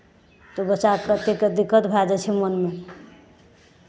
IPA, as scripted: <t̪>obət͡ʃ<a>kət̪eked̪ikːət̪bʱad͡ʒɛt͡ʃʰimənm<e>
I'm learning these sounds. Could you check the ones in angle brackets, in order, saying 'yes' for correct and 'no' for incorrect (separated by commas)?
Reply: yes, yes, yes